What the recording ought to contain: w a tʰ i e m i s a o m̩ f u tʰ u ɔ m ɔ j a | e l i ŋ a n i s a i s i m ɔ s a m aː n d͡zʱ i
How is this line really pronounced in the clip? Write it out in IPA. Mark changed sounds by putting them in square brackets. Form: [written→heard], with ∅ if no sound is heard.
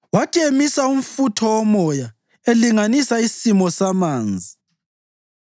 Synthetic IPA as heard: w a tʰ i e m i s a [o→u] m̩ f u tʰ [u→ɔ] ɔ m ɔ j a | e l i ŋ a n i s a i s i m ɔ s a m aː n d͡zʱ i